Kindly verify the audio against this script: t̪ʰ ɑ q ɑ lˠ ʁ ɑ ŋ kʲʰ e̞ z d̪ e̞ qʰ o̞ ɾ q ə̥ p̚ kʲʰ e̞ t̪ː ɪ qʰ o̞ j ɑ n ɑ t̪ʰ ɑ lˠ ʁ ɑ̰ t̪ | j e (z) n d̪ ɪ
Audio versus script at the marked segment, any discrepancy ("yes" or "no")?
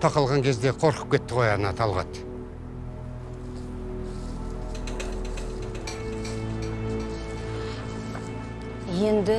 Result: yes